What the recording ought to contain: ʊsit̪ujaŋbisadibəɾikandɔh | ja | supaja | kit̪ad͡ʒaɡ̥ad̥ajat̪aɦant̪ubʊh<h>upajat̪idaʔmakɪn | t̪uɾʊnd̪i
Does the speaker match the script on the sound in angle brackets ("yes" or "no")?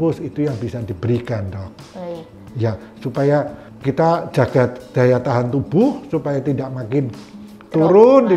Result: no